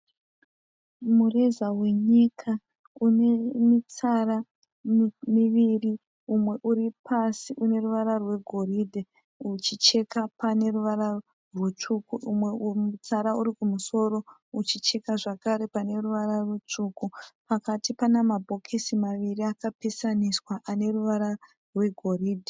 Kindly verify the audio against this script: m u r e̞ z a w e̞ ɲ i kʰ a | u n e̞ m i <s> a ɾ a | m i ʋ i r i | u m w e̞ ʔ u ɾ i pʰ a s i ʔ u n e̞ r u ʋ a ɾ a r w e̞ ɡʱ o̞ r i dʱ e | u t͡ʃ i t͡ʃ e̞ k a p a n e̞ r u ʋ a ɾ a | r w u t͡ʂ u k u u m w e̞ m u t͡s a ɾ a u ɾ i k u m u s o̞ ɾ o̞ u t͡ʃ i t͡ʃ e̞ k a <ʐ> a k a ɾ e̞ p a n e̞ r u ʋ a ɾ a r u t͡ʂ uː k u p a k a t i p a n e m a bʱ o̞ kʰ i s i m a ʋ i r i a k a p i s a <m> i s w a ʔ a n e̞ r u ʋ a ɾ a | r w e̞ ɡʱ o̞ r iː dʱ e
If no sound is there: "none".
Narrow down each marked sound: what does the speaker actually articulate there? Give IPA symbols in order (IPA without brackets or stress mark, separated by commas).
t͡s, ʐ, n